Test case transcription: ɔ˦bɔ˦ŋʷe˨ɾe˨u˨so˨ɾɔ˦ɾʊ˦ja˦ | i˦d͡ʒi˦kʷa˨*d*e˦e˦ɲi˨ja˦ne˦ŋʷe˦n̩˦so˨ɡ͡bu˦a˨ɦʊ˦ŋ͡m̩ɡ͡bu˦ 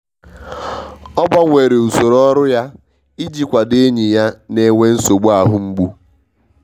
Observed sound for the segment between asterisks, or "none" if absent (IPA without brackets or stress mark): d